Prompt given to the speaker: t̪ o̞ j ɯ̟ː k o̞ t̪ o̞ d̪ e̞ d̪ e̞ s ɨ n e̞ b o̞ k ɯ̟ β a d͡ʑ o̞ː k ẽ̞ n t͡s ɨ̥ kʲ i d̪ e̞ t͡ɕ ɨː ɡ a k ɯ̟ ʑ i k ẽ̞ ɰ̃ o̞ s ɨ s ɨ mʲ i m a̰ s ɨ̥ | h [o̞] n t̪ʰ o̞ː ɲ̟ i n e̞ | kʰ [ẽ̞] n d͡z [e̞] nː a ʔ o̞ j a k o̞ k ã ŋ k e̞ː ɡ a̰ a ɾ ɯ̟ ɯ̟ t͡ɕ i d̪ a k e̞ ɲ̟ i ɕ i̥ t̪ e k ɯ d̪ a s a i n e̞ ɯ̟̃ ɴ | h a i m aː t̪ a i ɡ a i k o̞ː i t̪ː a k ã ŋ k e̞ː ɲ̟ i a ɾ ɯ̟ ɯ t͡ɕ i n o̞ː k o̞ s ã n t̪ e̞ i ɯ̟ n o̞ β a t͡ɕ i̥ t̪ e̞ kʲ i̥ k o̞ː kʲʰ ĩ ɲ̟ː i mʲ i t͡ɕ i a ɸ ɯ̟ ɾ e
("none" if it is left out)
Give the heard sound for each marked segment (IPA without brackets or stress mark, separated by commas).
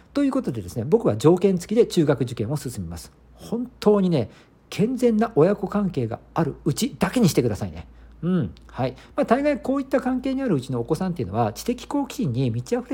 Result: õ̞, ẽ̞, ẽ̞